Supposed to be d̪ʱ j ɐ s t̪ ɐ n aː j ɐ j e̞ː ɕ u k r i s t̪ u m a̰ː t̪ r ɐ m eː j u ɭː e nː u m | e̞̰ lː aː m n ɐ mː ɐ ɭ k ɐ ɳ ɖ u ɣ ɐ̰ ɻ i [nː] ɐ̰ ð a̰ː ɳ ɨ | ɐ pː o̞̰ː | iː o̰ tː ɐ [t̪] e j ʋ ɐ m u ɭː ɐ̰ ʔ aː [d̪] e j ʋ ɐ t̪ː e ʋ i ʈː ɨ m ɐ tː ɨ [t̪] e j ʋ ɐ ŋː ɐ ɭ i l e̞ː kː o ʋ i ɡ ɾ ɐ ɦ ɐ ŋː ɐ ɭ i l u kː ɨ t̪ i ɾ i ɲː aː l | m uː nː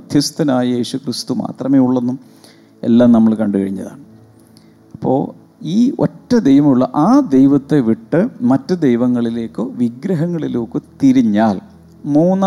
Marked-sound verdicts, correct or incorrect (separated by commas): incorrect, incorrect, correct, incorrect